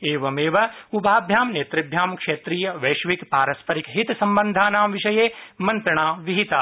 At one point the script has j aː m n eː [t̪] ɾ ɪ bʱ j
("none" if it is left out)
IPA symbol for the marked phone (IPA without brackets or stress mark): t̪